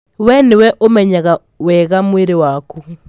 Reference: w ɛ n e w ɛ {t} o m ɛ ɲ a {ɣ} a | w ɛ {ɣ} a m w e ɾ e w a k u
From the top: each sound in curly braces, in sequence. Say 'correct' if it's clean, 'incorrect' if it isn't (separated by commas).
incorrect, correct, correct